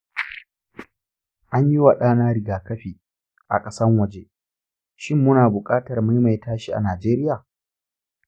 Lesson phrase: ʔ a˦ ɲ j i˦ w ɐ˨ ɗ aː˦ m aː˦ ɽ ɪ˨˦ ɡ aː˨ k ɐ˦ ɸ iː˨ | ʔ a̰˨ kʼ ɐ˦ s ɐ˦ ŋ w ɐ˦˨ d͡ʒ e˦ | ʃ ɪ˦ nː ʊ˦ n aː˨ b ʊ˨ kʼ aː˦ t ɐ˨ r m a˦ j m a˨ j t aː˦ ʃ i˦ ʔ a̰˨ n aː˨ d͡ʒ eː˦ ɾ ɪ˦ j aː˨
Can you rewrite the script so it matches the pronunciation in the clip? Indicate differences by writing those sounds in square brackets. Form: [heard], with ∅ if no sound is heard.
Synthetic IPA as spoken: ʔ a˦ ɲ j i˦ w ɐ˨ ɗ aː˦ [n] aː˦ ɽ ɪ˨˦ ɡ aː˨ k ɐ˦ ɸ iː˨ | ʔ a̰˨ kʼ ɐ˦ s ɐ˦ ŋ w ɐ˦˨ d͡ʒ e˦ | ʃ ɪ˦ [mː] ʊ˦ n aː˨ b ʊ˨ kʼ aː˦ t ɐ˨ r m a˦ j m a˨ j t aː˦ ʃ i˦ ʔ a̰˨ n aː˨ d͡ʒ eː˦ ɾ ɪ˦ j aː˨